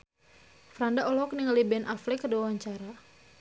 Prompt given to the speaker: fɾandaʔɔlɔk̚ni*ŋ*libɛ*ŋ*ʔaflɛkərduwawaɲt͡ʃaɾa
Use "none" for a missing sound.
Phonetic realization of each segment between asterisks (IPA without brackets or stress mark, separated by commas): ŋ, n